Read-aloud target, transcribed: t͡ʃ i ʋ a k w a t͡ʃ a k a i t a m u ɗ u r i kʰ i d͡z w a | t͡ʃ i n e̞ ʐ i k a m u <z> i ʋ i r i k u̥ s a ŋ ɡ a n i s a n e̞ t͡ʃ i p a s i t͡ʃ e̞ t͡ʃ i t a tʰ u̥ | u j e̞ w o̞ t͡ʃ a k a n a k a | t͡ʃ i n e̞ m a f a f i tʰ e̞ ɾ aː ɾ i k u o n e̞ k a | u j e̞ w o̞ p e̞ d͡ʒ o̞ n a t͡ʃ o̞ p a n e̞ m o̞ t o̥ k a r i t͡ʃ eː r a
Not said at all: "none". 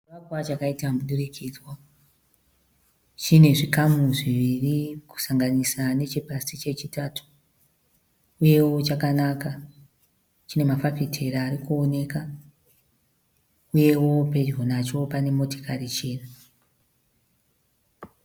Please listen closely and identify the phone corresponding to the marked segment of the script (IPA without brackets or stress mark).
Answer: ʐ